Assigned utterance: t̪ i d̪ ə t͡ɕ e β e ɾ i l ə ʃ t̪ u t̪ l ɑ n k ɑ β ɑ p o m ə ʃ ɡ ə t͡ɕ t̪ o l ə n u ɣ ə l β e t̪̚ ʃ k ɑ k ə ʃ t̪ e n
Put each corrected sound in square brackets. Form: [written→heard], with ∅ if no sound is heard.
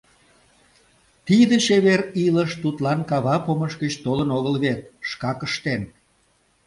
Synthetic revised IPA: t̪ i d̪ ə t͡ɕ e β e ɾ i l ə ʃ t̪ u t̪ l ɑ n k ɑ β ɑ p o m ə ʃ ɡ ə t͡ɕ t̪ o l ə n [u→o] ɣ ə l β e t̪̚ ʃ k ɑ k ə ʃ t̪ e n